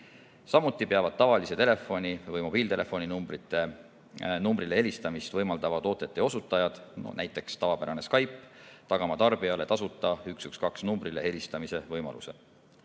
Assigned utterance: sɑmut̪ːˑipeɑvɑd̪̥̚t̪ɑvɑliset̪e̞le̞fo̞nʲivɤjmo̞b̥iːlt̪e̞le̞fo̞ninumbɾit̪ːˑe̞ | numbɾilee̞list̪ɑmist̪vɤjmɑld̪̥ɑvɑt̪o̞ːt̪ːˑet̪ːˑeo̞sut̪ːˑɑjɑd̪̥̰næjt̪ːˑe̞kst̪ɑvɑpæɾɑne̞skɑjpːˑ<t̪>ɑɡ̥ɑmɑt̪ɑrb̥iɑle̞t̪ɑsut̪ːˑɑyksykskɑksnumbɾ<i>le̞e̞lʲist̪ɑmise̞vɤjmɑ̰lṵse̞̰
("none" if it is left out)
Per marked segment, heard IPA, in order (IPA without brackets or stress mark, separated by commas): t̪, i